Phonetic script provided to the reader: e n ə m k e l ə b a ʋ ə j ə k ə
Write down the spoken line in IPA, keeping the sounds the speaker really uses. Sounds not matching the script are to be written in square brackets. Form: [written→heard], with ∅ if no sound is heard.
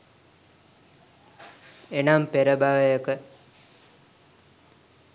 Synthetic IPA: e n [ə→a] m [k→p] e [l→ɾ] ə b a ʋ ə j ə k ə